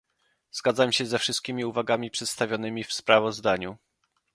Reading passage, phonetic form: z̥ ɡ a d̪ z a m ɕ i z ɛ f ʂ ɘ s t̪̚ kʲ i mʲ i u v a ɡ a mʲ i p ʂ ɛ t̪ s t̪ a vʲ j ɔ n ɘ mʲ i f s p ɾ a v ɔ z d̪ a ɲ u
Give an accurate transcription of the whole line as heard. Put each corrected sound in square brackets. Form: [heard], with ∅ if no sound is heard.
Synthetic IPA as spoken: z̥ ɡ a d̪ z a m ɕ [ɛ] z ɛ f ʂ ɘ s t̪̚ kʲ i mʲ i u v a ɡ a mʲ i p ʂ ɛ t̪ s t̪ a vʲ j ɔ n ɘ mʲ i f s p ɾ a v ɔ z d̪ a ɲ u